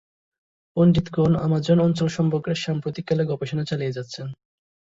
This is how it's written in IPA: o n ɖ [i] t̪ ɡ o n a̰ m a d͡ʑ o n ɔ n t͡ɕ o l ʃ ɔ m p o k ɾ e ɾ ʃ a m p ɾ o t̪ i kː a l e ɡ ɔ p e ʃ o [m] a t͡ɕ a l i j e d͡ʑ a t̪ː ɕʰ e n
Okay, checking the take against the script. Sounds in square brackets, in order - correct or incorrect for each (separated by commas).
correct, incorrect